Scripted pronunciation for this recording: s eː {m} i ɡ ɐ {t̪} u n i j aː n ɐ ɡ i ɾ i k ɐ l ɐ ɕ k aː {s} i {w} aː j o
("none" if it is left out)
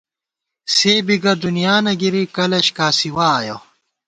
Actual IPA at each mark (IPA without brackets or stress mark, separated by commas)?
b, d̪, s, w